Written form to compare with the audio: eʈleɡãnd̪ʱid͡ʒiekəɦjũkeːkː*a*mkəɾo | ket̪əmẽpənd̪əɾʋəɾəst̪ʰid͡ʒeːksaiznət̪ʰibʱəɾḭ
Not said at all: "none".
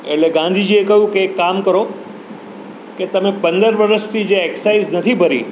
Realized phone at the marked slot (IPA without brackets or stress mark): a